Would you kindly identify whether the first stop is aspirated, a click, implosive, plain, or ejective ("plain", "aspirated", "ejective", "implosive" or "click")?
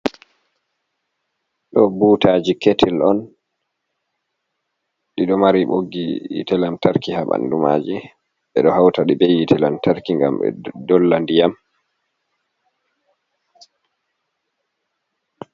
implosive